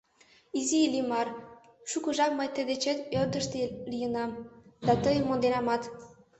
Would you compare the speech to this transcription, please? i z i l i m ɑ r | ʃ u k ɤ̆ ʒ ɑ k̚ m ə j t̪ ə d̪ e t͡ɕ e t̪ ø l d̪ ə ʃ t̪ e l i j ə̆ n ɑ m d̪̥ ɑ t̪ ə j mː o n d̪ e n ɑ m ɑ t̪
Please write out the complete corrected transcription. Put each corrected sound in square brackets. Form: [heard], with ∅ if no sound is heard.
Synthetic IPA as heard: i z i l i m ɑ r | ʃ u k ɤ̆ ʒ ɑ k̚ m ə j t̪ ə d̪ e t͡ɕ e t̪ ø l d̪ ə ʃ t̪ e l i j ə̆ n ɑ m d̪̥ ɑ t̪ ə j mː o n d̪ e n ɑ m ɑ t̪